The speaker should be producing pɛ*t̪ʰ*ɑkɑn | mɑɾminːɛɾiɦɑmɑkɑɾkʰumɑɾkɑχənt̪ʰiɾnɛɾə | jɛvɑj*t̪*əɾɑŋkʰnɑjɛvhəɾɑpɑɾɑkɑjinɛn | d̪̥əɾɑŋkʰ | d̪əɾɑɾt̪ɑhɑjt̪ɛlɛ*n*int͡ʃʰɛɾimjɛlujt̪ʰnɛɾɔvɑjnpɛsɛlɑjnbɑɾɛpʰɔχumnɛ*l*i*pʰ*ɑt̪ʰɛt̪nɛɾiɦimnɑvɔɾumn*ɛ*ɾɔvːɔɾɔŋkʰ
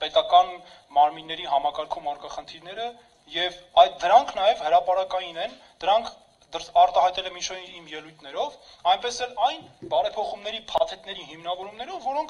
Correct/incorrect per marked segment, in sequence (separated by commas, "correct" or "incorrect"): incorrect, incorrect, incorrect, incorrect, correct, correct